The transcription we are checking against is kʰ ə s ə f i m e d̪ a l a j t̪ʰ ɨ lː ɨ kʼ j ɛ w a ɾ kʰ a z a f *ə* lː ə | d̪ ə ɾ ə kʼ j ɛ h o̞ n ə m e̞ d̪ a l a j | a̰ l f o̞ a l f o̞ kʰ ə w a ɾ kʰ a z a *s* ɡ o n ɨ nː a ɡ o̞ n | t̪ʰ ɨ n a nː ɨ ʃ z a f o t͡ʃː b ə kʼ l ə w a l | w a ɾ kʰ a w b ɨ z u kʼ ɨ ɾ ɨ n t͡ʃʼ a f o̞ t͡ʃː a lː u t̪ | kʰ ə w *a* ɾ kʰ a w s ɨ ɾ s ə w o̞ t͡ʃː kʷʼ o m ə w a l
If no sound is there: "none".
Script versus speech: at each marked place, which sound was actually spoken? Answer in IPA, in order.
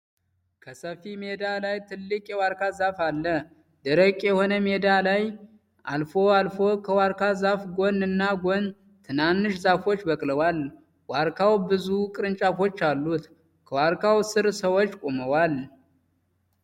a, f, a

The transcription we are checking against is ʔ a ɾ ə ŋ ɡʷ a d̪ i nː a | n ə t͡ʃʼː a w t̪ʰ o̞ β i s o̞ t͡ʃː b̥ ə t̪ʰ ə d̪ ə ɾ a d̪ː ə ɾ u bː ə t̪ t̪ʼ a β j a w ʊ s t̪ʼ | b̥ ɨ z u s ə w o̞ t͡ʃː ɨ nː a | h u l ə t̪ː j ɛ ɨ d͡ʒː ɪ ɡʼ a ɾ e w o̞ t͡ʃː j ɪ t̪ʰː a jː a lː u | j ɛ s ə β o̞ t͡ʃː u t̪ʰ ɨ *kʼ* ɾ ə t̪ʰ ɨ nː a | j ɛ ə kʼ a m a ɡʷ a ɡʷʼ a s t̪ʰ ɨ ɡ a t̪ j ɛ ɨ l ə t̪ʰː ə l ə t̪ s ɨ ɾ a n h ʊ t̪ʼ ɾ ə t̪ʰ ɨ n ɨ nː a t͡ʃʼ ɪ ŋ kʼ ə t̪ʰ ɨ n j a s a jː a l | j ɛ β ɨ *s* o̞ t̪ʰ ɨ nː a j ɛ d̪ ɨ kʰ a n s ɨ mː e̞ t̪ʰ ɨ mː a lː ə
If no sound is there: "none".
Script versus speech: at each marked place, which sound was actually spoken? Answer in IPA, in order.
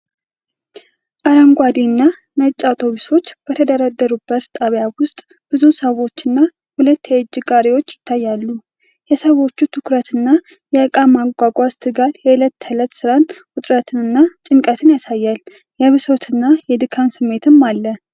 k, s

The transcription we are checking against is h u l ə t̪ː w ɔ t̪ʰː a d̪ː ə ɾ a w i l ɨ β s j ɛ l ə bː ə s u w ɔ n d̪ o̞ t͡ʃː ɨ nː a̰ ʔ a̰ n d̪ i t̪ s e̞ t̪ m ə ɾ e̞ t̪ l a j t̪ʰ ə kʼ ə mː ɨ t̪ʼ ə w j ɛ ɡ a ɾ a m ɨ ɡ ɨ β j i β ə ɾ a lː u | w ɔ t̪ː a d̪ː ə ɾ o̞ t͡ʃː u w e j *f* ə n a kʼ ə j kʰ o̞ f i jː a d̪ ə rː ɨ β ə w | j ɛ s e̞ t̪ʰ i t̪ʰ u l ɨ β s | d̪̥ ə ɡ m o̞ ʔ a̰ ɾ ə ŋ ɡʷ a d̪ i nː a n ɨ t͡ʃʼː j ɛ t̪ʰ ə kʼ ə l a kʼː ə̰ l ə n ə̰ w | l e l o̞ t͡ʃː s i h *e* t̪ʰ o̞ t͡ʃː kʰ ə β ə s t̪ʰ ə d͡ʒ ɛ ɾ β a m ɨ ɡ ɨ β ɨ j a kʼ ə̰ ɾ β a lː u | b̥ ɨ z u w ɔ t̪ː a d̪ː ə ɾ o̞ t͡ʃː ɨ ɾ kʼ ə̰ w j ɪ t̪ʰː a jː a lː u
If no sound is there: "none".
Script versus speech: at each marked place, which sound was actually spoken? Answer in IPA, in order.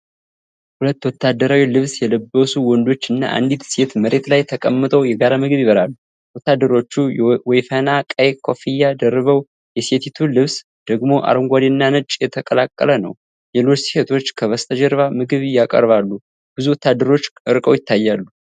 f, e

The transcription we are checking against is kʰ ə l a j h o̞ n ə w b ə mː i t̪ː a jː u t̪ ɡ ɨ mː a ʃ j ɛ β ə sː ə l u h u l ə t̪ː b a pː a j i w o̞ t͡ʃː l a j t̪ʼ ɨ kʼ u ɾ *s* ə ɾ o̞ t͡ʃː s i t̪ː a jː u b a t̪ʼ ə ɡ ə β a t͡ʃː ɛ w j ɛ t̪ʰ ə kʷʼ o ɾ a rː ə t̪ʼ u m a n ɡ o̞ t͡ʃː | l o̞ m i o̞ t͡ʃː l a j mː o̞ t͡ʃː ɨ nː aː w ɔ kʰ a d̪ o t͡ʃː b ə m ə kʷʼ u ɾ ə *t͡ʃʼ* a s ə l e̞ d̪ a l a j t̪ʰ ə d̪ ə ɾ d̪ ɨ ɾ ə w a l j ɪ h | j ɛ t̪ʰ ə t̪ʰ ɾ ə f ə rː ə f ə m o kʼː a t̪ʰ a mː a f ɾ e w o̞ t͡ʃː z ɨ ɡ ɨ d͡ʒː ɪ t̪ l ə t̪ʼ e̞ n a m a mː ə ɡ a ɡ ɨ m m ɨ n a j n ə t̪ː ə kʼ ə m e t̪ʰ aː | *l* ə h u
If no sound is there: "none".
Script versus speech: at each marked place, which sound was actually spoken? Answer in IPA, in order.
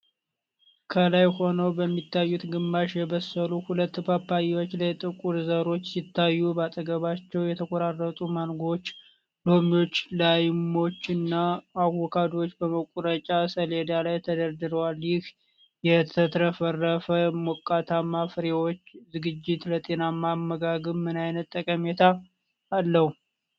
z, t͡ʃʼ, lː

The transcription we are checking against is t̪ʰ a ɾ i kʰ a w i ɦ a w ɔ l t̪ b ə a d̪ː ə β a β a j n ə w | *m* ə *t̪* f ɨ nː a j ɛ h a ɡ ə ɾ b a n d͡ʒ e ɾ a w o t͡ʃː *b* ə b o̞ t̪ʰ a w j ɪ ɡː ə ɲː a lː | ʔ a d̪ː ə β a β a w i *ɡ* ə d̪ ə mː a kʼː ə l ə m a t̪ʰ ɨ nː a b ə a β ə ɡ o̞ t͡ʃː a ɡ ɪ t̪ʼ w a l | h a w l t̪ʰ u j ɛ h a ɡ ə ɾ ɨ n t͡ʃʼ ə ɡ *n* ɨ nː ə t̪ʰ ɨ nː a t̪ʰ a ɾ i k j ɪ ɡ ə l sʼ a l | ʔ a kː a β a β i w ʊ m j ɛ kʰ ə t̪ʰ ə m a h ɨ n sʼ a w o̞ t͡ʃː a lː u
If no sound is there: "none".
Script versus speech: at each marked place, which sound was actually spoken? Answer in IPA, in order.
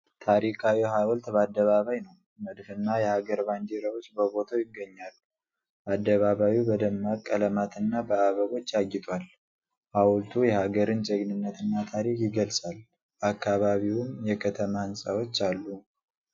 m, d̪, b, b, n

